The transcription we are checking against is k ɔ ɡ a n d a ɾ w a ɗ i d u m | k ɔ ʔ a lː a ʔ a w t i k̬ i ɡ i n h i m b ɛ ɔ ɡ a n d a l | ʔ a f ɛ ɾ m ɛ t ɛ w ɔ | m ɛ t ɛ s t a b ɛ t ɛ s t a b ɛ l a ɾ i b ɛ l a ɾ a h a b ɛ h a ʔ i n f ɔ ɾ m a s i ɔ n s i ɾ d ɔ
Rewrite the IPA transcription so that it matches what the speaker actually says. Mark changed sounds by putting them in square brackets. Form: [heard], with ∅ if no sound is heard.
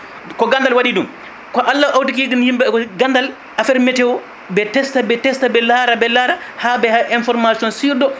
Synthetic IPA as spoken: k ɔ ɡ a n d a [l] w a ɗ i d u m | k ɔ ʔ a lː a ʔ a w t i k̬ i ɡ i n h i m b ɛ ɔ ɡ a n d a l | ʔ a f ɛ ɾ m ɛ t ɛ w ɔ | [b] ɛ t ɛ s t a b ɛ t ɛ s t a b ɛ l a ɾ [a] b ɛ l a ɾ a h a b ɛ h a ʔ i n f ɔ ɾ m a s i ɔ n s i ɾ d ɔ